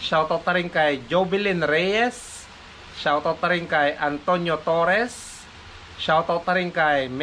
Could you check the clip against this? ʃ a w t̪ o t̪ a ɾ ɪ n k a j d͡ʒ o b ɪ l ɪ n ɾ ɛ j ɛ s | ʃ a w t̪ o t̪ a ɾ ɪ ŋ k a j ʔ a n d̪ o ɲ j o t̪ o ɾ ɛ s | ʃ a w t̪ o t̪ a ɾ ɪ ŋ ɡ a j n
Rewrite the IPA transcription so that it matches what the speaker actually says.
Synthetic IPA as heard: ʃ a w t̪ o t̪ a ɾ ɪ ŋ k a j d͡ʒ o b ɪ l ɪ n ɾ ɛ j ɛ s | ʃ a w t̪ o t̪ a ɾ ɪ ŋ k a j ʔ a n t̪ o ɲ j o t̪ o ɾ ɛ s | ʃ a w t̪ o t̪ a ɾ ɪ ŋ k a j m